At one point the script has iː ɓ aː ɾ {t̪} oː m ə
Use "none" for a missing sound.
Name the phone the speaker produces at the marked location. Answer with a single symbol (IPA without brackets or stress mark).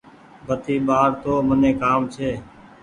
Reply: t̪